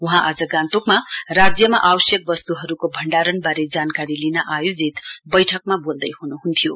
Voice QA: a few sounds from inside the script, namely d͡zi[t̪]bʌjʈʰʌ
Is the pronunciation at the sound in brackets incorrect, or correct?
correct